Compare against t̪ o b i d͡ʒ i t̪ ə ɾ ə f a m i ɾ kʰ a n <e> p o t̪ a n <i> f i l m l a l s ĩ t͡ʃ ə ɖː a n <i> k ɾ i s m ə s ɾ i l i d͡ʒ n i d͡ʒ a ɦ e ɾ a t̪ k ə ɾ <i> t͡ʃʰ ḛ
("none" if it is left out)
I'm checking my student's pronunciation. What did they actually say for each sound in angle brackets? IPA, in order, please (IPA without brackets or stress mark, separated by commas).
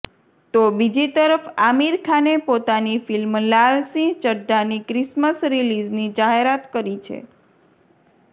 e, i, i, i